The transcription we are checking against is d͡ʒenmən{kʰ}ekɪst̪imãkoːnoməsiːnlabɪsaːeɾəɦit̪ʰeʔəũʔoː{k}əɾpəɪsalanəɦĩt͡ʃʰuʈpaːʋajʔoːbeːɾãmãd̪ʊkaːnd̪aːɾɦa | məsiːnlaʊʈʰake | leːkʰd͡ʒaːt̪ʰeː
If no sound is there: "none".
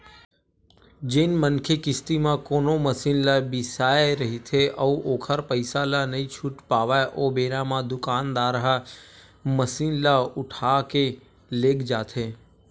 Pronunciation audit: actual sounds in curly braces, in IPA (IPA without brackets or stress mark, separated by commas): kʰ, kʰ